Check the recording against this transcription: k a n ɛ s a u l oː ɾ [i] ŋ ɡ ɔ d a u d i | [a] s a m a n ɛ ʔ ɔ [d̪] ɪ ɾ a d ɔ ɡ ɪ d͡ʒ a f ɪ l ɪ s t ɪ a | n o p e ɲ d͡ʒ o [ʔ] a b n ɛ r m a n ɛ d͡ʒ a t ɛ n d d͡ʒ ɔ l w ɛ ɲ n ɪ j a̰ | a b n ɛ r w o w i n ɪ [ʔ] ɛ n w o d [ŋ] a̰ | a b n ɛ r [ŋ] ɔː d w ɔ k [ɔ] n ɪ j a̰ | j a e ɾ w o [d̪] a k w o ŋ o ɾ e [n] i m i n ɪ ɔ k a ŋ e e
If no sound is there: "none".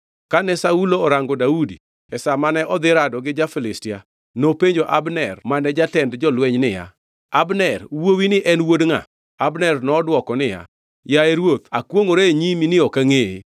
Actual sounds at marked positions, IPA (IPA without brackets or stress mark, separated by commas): a, ɛ, d̪, ʔ, ʔ, ŋ, n, ɔ, t̪, ɲ